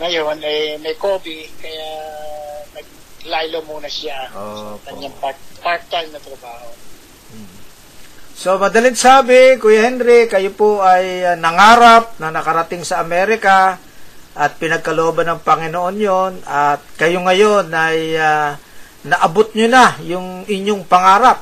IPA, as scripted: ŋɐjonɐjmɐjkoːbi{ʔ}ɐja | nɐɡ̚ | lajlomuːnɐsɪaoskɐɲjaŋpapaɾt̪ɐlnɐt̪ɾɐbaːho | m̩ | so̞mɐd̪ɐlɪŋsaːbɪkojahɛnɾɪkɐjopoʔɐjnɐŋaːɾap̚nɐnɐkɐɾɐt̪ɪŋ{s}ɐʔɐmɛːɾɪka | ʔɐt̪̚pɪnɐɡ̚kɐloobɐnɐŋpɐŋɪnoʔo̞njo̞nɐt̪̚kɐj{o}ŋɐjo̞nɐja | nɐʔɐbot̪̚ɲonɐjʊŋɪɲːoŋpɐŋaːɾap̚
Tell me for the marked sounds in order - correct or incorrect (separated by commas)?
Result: incorrect, correct, correct